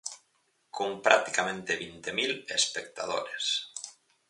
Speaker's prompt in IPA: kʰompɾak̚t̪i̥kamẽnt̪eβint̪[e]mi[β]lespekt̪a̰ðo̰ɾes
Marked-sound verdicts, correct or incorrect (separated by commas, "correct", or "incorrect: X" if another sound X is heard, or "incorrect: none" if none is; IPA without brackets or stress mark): correct, incorrect: none